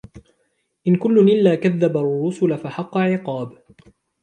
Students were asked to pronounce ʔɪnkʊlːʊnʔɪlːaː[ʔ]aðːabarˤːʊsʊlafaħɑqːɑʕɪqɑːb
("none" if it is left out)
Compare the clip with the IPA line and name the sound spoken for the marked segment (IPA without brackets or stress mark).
k